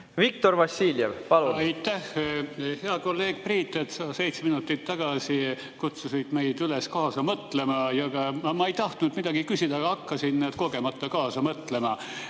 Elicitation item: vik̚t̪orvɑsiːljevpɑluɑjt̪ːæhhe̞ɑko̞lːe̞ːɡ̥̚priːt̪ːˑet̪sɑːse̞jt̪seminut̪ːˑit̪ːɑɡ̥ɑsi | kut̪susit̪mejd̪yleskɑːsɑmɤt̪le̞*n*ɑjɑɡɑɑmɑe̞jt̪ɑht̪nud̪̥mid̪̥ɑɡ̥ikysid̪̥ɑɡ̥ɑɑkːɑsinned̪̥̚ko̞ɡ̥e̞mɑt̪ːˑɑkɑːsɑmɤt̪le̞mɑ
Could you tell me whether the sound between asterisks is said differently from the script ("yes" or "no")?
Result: yes